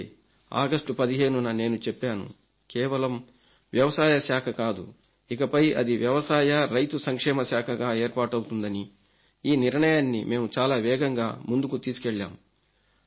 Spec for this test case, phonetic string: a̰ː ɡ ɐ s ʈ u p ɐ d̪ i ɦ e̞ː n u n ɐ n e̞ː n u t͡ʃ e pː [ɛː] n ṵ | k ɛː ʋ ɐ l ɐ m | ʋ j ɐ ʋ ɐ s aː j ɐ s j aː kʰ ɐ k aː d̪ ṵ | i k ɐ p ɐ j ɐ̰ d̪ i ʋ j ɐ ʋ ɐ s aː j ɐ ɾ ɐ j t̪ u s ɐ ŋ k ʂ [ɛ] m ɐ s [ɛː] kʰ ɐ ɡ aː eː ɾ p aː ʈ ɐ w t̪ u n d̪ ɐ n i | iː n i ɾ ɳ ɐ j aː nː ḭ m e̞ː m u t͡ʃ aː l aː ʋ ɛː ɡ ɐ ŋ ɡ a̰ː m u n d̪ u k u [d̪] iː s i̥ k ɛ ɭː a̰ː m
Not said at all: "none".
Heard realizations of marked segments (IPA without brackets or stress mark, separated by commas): aː, ɛː, aː, t̪